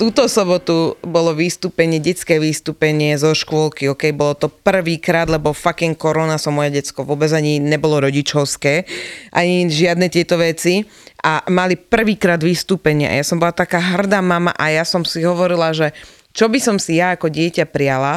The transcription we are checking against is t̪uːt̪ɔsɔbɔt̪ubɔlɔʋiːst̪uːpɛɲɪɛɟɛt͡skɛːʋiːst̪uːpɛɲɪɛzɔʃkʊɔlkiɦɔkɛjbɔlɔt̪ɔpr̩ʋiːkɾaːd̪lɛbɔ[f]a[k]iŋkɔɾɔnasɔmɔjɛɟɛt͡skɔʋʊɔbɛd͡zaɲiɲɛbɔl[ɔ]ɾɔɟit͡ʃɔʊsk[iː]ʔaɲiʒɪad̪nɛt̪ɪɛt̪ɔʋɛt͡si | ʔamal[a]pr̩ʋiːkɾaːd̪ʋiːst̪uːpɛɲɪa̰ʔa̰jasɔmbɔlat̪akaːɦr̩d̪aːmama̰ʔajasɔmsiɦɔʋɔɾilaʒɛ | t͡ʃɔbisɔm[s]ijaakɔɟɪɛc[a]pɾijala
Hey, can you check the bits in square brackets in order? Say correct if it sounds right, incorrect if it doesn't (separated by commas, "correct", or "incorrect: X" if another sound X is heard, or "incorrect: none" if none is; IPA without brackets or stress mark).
correct, correct, correct, incorrect: ɛː, incorrect: i, correct, correct